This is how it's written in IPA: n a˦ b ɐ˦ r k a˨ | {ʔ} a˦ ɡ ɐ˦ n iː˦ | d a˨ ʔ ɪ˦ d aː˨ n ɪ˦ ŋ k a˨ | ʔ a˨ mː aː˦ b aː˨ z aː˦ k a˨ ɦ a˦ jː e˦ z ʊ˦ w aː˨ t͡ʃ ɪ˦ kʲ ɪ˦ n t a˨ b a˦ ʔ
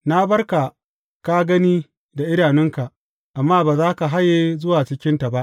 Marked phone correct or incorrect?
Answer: incorrect